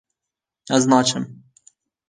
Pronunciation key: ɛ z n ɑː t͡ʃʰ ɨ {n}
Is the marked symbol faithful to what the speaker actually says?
no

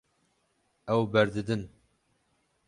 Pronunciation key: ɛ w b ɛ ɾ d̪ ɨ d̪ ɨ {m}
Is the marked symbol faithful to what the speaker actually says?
no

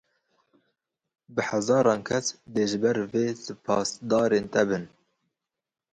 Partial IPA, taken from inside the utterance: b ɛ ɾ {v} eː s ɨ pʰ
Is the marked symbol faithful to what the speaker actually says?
yes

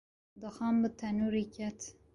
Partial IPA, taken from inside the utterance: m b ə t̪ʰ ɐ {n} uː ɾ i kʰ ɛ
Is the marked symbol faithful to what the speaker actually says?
yes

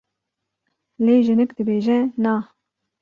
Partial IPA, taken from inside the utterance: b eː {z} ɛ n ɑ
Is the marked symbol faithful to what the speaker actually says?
no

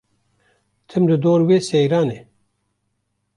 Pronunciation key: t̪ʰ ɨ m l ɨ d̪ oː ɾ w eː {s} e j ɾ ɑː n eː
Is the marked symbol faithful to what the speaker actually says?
yes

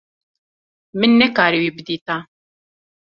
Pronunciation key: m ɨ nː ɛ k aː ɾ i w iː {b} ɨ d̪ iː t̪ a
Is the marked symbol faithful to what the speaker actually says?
yes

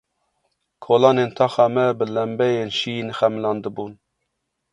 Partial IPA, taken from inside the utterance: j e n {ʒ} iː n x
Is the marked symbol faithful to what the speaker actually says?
no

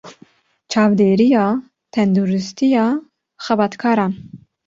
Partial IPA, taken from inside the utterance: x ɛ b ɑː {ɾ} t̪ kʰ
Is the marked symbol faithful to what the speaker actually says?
no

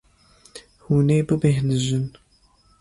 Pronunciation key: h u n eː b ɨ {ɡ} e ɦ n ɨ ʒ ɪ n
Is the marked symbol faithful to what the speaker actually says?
no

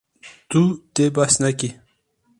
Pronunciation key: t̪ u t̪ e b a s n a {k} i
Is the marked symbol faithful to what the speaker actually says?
yes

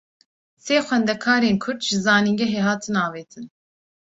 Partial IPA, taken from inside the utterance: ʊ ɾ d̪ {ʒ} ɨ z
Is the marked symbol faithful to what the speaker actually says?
yes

